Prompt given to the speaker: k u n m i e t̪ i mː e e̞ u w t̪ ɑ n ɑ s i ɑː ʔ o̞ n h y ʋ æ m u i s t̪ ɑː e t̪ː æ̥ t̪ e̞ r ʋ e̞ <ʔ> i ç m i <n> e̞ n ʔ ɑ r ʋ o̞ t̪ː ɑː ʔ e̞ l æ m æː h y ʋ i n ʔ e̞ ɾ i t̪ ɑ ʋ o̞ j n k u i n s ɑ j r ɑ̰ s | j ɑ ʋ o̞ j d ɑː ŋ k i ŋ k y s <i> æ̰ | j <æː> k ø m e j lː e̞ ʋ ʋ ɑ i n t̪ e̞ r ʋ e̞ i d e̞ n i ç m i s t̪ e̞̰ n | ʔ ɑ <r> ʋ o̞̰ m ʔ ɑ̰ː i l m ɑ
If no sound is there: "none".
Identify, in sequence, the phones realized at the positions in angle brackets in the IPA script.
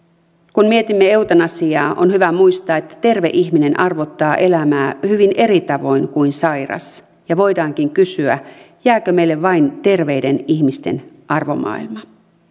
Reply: ʔ, n, y, æː, r

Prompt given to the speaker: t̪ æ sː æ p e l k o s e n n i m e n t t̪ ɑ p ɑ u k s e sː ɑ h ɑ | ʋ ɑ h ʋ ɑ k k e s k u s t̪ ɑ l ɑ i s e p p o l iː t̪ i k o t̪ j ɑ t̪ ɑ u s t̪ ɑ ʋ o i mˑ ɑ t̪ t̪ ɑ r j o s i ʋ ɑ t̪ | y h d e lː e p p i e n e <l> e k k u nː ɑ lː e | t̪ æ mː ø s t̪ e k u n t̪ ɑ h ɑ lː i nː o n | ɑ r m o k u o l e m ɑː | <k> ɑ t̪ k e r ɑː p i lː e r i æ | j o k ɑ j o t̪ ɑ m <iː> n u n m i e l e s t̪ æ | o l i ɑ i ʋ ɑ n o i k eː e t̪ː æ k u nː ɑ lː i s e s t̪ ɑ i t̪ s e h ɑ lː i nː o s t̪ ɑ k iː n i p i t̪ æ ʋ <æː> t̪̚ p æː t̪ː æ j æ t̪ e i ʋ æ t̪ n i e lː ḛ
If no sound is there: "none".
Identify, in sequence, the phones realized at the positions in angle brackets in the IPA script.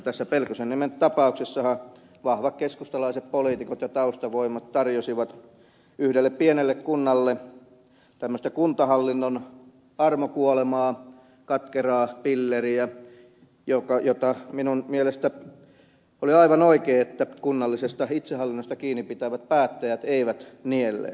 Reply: lː, k, i, æ

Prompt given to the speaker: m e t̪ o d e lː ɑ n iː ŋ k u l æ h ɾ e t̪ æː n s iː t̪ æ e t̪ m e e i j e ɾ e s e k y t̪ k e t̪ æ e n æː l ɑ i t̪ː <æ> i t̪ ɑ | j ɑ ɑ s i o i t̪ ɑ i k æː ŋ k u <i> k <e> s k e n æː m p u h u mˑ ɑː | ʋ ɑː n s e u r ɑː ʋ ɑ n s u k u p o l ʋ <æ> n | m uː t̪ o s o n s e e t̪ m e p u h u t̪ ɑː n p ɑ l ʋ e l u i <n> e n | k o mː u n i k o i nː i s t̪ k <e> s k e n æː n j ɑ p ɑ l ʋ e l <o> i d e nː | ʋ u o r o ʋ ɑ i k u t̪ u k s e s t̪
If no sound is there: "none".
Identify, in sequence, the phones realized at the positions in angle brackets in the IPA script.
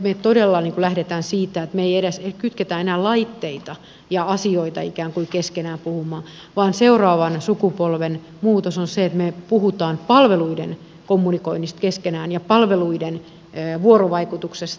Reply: e, i, e, e, d, e, u

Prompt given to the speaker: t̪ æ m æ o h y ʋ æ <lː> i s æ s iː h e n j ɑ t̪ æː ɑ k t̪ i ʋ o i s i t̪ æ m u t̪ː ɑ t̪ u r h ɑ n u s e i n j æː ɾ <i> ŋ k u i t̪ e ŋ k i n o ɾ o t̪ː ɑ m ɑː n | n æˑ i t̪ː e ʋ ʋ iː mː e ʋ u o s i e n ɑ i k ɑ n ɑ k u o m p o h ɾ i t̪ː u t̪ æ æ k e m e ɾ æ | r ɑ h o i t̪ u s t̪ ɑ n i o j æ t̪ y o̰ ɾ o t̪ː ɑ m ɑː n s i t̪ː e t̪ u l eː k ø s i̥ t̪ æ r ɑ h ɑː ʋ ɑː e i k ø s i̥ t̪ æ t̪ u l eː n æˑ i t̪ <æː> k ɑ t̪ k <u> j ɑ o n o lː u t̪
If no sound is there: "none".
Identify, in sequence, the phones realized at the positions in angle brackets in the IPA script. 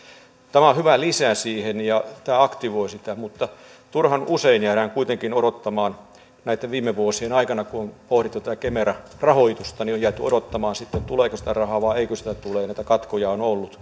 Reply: l, æ, æ, o

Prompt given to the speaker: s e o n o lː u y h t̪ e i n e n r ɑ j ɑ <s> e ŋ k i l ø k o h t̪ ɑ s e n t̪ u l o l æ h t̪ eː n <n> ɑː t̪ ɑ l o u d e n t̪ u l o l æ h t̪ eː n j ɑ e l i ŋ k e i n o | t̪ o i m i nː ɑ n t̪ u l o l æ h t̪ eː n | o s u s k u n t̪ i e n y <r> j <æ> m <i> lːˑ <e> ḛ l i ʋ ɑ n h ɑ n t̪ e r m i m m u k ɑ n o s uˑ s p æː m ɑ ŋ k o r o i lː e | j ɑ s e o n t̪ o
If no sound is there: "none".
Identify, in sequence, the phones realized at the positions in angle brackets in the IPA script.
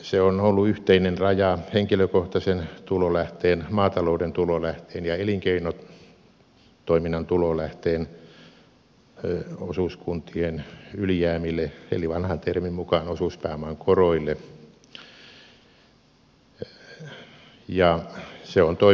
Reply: h, m, l, æː, i, e

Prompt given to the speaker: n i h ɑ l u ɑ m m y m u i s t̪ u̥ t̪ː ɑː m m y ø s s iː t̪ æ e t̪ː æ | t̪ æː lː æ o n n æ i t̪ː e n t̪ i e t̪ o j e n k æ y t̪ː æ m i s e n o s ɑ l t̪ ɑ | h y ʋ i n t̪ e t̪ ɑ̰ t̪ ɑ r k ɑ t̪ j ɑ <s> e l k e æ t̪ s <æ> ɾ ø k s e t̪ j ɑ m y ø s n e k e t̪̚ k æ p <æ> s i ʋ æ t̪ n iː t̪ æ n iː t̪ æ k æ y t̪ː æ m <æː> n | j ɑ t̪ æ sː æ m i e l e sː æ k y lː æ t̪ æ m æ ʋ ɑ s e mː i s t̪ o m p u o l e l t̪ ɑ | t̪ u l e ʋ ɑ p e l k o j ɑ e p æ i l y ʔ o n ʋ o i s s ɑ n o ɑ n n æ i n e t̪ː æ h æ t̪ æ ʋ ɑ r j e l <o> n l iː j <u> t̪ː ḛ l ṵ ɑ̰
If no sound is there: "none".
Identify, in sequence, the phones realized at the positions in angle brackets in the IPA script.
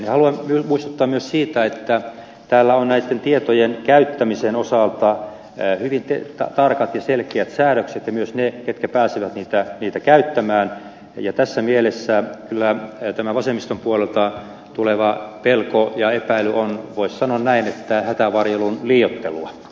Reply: s, æː, æː, æː, u, o

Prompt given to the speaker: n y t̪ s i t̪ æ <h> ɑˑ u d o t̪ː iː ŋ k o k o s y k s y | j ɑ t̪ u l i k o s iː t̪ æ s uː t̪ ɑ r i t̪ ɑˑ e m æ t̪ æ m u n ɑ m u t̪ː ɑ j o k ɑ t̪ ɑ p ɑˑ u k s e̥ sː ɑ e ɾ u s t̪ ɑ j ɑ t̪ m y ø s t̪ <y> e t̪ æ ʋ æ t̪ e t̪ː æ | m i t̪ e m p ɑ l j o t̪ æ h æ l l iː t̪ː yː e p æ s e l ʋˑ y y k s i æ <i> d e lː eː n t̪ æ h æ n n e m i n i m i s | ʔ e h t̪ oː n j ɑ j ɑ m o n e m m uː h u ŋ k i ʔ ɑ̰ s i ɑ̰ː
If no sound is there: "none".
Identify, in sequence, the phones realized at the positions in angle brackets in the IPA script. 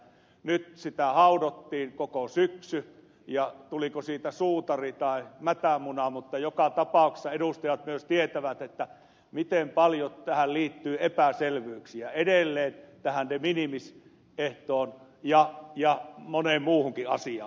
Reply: h, i, e

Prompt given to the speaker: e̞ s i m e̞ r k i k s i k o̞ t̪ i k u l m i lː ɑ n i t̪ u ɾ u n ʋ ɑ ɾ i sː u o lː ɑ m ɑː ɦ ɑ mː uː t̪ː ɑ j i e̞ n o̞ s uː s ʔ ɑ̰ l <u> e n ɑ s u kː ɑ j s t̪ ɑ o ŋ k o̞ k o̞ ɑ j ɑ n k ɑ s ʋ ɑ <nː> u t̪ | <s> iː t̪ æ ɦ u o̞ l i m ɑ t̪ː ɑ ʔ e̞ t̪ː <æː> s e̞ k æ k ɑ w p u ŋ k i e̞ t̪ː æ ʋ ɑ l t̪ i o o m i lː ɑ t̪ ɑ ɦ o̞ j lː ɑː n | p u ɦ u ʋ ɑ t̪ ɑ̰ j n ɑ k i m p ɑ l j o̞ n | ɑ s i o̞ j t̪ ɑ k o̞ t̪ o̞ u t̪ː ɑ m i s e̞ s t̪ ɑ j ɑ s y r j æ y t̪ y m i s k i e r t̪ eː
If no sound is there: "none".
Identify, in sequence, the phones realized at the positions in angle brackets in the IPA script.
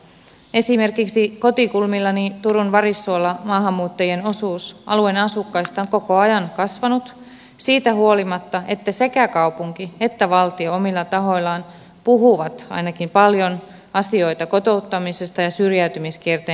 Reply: u, n, s, æ

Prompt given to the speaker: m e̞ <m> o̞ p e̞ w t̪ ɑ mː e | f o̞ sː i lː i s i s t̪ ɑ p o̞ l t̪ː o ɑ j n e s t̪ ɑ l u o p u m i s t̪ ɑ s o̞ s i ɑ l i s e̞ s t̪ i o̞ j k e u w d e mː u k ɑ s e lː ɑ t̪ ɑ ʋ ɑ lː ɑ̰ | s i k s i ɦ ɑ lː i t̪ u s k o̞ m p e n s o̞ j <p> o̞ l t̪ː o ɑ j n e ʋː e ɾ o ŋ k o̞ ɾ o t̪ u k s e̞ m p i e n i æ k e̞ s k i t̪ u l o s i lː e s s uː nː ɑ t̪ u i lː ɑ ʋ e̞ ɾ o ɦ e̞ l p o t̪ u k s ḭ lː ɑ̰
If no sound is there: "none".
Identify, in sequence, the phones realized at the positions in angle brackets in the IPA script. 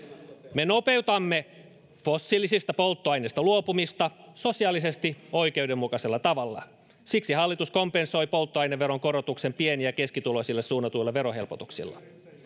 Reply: n, p

